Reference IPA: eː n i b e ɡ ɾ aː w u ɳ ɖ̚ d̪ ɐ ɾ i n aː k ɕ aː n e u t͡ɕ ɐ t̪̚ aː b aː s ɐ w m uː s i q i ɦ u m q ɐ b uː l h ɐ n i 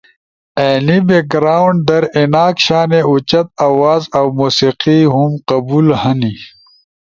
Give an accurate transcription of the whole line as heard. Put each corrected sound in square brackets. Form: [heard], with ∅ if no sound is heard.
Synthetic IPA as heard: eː n i b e ɡ ɾ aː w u ɳ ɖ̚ d̪ ɐ ɾ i n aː k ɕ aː n e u t͡ɕ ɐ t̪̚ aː [w] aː [z] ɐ w m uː s i q i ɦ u m q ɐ b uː l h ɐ n i